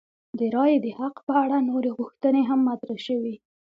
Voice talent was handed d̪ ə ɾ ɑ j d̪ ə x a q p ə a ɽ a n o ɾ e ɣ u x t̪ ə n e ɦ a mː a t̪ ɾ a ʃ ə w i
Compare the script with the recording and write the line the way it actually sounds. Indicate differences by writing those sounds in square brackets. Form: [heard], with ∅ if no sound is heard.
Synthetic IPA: d̪ ə ɾ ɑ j d̪ ə [h] a q p ə a ɽ a n o ɾ e ɣ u x t̪ ə n e ɦ a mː a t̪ ɾ a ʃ ə w i